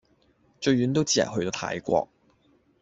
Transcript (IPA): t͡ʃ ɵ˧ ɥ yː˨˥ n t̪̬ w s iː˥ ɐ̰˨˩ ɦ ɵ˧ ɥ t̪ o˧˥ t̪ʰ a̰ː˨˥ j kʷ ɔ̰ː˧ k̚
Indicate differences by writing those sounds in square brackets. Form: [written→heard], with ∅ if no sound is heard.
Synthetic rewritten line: t͡ʃ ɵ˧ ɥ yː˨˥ n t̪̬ w [s→t͡s] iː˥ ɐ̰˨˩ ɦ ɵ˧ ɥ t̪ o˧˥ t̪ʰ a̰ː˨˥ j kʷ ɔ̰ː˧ k̚